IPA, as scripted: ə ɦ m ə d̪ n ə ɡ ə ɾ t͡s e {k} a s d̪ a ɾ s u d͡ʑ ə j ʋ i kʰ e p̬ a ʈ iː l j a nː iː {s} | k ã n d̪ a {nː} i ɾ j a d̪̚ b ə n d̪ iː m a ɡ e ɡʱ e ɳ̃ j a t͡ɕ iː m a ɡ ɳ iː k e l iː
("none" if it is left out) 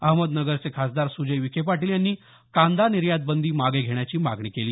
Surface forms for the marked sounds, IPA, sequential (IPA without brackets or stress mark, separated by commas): kʰ, none, n